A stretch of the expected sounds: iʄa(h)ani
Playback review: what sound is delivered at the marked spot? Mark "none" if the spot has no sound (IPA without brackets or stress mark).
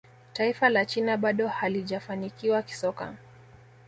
f